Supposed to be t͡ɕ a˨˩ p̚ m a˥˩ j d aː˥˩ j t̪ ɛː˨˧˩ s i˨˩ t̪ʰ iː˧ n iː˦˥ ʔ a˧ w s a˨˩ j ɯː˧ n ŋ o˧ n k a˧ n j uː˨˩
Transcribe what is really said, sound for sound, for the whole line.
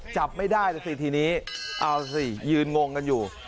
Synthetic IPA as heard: t͡ɕ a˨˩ p̚ m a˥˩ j d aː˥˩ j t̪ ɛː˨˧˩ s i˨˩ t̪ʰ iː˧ n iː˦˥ ʔ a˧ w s i˨˩ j ɯː˧ n ŋ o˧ ŋ k a˧ n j uː˨˩